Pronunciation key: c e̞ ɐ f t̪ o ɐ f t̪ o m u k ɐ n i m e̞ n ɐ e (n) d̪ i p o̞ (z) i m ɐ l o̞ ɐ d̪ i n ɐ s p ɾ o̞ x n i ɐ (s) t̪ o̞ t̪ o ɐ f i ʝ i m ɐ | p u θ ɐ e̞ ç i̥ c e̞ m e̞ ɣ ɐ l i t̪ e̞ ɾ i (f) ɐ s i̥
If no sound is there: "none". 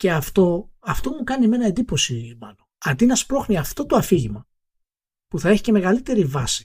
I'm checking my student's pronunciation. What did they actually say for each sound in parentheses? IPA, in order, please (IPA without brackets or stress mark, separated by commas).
n, s, f, v